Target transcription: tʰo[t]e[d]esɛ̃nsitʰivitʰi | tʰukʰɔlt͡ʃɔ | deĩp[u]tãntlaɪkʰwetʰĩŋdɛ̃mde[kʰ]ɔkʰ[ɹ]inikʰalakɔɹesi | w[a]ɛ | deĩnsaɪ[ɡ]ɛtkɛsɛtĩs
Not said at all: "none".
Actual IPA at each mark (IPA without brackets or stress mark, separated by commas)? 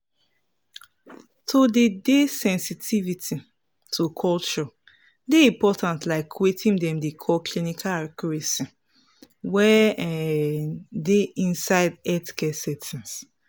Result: d, d, ɔ, kʰ, l, ɛ, d